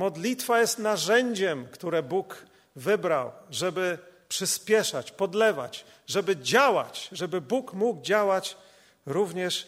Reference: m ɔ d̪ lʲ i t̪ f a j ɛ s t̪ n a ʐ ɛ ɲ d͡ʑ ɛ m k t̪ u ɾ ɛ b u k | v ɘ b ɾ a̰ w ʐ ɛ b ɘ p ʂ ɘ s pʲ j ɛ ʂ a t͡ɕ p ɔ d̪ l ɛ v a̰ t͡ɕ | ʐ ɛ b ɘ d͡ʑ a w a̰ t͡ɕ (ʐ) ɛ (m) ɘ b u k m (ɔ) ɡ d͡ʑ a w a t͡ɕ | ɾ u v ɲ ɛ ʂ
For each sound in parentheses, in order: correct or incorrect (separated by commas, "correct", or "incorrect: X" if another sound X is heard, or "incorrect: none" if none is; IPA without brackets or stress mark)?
correct, incorrect: b, incorrect: u